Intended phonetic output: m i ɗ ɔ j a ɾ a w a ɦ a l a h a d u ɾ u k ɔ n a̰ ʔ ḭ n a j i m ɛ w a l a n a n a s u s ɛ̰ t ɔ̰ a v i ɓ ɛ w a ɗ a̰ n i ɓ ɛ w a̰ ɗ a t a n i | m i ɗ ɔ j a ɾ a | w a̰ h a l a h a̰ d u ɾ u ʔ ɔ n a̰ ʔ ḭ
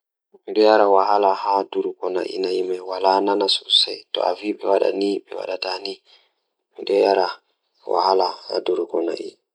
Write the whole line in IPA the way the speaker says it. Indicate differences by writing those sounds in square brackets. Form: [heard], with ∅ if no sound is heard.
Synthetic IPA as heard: m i ɗ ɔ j a ɾ a w a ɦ a l a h a d u ɾ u k ɔ n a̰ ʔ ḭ n a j i m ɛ w a l a n a n a s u s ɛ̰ t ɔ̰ a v i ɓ ɛ w a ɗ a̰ n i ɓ ɛ w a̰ ɗ a t a n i | m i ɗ ɔ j a ɾ a | w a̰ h a l a h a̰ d u ɾ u [k] ɔ n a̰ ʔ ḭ